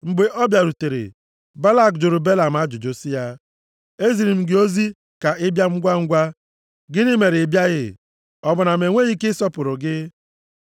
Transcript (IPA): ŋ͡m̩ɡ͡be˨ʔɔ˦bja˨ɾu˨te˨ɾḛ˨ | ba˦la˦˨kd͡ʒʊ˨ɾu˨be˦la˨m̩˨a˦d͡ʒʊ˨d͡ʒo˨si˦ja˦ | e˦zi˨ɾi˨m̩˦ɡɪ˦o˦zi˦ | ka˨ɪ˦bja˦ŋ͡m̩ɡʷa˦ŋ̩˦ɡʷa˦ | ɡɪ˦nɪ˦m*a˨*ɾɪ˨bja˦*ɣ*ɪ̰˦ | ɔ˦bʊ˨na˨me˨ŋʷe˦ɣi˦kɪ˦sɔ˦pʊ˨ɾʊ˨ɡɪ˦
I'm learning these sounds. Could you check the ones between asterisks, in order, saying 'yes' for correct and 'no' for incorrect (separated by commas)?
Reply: no, yes